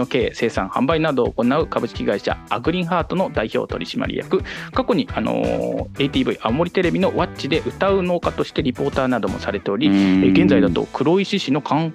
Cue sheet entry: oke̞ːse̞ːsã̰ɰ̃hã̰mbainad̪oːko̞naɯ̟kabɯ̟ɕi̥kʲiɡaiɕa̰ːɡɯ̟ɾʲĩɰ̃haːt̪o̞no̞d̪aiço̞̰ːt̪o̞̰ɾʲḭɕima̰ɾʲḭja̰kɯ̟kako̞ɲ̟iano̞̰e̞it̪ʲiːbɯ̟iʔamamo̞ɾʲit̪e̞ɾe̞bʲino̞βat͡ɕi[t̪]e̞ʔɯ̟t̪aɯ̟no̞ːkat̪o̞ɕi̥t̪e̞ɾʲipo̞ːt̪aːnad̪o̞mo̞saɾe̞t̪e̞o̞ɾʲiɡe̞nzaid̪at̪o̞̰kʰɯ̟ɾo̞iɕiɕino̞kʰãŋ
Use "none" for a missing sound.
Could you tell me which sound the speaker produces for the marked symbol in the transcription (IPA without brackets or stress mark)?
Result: d̪